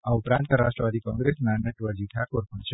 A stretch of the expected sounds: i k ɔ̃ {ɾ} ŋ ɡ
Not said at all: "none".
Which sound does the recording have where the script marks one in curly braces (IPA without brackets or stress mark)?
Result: none